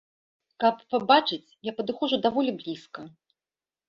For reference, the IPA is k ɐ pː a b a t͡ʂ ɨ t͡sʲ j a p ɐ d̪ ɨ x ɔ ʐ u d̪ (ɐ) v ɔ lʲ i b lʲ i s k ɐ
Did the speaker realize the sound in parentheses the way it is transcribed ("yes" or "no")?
no